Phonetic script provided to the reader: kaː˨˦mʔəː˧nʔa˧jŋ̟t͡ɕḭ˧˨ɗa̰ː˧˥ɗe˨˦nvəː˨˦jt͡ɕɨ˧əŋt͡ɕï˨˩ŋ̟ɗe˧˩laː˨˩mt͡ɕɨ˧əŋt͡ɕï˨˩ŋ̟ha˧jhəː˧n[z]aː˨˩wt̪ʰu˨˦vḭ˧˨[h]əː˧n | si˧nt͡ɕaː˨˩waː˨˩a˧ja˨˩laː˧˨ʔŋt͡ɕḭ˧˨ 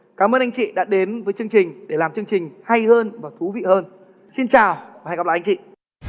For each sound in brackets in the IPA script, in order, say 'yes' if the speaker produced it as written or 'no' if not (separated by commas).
no, yes